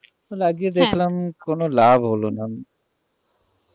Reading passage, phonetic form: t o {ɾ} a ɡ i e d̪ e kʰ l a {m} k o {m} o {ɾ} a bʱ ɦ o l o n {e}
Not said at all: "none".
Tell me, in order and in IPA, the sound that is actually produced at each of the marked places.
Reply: l, m, n, l, a

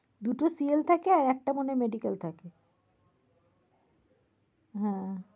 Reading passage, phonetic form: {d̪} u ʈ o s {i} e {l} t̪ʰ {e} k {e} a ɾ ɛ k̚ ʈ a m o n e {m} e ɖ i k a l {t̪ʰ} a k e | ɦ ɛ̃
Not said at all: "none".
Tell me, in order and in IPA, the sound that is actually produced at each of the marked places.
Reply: d̪, i, l, a, e, m, t̪ʰ

